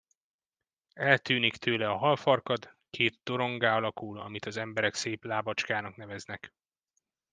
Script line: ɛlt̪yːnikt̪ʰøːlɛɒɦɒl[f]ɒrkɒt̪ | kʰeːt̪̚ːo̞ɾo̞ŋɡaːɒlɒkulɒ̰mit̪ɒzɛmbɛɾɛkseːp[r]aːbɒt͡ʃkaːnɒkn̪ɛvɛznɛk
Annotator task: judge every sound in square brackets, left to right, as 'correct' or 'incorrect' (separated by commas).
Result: correct, incorrect